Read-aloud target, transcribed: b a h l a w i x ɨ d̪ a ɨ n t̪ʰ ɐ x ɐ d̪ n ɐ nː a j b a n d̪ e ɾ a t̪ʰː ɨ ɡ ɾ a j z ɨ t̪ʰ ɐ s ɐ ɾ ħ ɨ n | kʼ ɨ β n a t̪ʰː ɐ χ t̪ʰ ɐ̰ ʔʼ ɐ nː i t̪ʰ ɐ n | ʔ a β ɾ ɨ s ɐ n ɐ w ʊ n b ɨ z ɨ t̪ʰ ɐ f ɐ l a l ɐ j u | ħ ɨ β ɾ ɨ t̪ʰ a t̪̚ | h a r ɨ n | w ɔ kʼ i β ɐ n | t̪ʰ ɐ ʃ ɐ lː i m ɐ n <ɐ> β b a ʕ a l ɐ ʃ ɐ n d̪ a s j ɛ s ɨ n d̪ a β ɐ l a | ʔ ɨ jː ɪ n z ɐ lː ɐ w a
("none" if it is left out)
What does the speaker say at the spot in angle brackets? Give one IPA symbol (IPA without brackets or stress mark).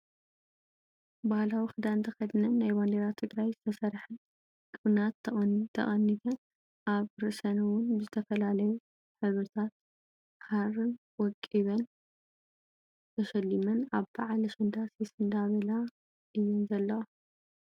a